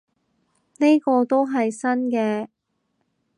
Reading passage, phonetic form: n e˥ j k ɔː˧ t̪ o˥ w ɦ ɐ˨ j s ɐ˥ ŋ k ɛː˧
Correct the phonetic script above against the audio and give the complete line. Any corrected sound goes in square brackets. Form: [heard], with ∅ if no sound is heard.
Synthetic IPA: n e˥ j k ɔː˧ t̪ o˥ w ɦ ɐ˨ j s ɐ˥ [n] k ɛː˧